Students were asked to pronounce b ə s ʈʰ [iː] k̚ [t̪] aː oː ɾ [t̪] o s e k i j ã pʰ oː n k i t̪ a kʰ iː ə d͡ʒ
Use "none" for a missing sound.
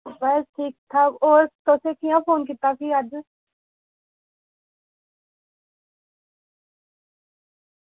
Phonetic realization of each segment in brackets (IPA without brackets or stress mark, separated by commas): iː, t̪ʰ, t̪